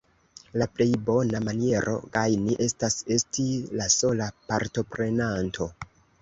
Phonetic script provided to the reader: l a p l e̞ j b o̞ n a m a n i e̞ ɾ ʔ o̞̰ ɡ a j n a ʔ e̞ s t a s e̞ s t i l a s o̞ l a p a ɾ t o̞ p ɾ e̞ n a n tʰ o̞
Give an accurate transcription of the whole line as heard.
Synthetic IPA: l a p l e̞ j b o̞ n a m a n i e̞ ɾ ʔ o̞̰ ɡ a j n i ʔ e̞ s t a s e̞ s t i l a s o̞ l a p a ɾ t o̞ p ɾ e̞ n a n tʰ o̞